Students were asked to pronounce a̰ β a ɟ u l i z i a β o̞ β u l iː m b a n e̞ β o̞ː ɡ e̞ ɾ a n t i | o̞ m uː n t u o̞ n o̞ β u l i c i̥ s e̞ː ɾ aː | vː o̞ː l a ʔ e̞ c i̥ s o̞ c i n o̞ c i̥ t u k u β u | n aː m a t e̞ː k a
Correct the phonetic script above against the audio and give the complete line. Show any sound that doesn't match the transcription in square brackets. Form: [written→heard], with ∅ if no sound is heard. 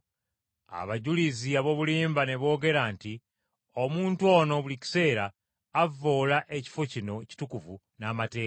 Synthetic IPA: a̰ β a ɟ u l i z i a β o̞ β u l iː m b a n e̞ β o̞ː ɡ e̞ ɾ a n t i | o̞ m uː n t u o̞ n o̞ β u l i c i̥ s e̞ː ɾ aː | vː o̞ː l a ʔ e̞ c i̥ [s→f] o̞ c i n o̞ c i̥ t u k u [β→v] u | n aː m a t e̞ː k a